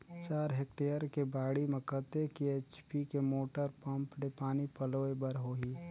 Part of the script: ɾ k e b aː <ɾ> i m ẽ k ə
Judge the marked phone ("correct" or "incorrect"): incorrect